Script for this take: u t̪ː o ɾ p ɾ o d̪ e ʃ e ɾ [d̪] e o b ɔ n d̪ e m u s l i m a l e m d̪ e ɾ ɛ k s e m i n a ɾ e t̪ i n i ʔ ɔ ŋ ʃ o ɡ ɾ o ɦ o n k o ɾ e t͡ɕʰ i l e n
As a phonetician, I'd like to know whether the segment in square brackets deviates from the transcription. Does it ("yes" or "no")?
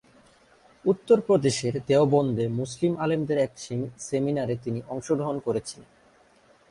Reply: no